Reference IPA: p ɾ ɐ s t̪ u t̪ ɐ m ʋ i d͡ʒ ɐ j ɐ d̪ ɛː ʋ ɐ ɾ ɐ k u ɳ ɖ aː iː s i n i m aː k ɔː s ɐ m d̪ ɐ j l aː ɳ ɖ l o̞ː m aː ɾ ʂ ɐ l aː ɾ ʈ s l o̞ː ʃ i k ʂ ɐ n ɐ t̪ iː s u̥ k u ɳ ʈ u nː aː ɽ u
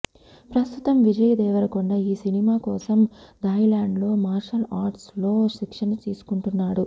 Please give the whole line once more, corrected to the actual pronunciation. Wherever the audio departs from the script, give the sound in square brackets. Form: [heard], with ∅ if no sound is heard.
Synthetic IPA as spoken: p ɾ ɐ s t̪ u t̪ ɐ m ʋ i d͡ʒ ɐ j ɐ d̪ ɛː ʋ ɐ ɾ ɐ k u ɳ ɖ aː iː s i n i m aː k ɔː s ɐ m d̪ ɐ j l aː ɳ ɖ l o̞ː m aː ɾ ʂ ɐ l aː ɾ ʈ s l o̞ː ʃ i k ʂ ɐ n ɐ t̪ iː s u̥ k u ɳ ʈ u nː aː ɽ u